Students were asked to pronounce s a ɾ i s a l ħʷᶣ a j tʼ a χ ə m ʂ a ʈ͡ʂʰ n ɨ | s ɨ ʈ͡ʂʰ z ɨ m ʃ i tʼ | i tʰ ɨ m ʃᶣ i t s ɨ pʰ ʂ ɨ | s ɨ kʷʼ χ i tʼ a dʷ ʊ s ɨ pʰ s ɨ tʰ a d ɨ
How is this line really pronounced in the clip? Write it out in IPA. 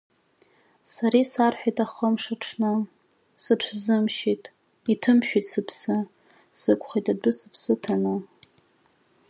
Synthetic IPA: s a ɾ i s a r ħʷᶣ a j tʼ a χ ə m ʂ a ʈ͡ʂʰ n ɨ | s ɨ ʈ͡ʂʰ z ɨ m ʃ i tʼ | i tʰ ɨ m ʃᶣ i t s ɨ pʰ s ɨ | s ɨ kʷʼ χ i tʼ a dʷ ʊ s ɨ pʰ s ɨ tʰ a n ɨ